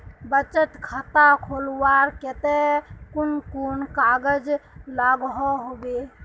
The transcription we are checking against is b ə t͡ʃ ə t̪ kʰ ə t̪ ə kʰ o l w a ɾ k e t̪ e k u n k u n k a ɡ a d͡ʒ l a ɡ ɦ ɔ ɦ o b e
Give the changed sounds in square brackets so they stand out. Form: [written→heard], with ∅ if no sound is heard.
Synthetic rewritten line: b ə t͡ʃ ə t̪ kʰ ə t̪ [ə→a] kʰ o l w a ɾ k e t̪ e k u n k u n k a ɡ [a→ə] d͡ʒ l a ɡ ɦ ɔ ɦ o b e